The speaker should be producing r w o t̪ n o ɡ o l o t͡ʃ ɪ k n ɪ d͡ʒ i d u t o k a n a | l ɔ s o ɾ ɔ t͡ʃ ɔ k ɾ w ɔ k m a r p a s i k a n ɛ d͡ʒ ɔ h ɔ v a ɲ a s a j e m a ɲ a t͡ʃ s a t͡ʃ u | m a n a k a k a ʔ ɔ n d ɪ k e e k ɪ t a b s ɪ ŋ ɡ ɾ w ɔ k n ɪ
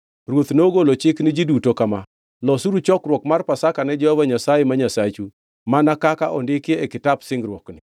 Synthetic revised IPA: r w o t̪ n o ɡ o l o t͡ʃ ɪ k n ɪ d͡ʒ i d u t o k a m a | l ɔ s u ɾ u t͡ʃ ɔ k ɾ w ɔ k m a r p a s a k a n ɛ d͡ʒ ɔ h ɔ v a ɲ a s a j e m a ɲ a s a t͡ʃ u | m a n a k a k a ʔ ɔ n d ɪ k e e k ɪ t a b s ɪ ŋ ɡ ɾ w ɔ k n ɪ